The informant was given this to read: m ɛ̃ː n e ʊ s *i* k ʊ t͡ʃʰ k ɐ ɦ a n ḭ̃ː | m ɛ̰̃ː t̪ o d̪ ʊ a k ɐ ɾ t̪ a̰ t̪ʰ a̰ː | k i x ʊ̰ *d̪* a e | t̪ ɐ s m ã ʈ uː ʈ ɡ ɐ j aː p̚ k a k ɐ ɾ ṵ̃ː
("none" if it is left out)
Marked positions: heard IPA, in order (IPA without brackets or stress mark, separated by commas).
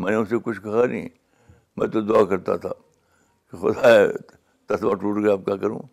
e, d̪